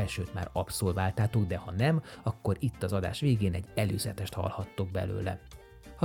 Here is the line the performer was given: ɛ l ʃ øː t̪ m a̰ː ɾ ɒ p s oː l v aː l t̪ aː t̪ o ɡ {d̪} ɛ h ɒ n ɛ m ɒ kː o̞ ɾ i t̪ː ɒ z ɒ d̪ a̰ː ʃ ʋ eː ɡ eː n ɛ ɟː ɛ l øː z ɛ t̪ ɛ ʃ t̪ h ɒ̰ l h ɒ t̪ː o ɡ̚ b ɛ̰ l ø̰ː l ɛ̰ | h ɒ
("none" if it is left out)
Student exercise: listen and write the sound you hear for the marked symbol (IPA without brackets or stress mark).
d̪